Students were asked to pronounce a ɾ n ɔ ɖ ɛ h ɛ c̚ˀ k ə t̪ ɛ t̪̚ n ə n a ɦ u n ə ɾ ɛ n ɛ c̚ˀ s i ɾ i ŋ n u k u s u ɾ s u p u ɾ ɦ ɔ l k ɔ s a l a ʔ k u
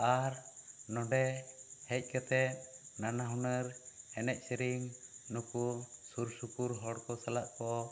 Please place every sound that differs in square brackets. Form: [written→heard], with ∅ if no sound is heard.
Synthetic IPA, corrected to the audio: a ɾ n ɔ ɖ ɛ h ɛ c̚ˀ k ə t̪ ɛ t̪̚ n [ə→a] n a ɦ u n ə ɾ ɛ n ɛ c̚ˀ s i ɾ i ŋ n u k u s u ɾ s u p u ɾ ɦ ɔ [l→ɽ] k ɔ s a l a ʔ k [u→ɔ]